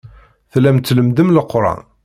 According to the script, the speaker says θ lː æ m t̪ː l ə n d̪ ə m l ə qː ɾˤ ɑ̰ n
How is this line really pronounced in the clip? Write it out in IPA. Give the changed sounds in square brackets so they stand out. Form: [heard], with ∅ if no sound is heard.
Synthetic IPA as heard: θ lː æ m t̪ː l ə [m] d̪ ə m l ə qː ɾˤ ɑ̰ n